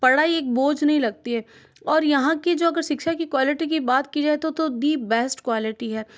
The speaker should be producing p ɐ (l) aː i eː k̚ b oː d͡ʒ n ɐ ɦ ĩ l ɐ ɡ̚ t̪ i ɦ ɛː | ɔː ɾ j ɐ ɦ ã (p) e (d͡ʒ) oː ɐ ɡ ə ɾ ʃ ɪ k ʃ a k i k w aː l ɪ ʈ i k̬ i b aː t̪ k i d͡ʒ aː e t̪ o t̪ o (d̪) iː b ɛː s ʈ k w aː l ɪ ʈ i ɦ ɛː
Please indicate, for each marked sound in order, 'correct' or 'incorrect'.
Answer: incorrect, incorrect, correct, correct

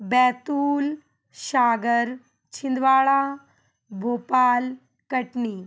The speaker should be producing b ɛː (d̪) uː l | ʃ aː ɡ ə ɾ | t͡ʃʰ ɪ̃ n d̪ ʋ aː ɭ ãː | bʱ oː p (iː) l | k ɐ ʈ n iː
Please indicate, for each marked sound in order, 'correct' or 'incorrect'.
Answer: incorrect, incorrect

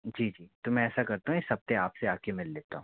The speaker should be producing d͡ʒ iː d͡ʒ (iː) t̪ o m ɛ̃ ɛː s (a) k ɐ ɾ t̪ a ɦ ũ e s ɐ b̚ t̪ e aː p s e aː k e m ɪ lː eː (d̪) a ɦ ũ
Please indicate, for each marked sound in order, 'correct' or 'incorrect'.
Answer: correct, correct, incorrect

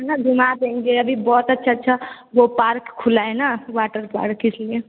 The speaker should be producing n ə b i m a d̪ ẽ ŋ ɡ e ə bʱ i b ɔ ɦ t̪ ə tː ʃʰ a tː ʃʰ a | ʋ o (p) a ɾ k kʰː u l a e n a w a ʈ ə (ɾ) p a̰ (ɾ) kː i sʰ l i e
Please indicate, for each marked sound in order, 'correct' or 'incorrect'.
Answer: correct, correct, correct

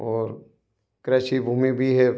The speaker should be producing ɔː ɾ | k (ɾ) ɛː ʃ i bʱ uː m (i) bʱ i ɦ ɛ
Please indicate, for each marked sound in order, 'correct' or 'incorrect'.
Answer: correct, correct

